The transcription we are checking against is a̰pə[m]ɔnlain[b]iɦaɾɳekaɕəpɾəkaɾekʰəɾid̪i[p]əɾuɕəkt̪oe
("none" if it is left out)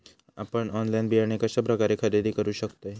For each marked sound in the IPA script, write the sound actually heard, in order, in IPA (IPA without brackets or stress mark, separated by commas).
ɳ, b, k